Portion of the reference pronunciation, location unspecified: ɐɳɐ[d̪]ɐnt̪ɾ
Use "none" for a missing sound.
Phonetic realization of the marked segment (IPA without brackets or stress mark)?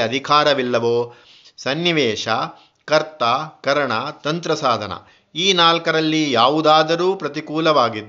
t̪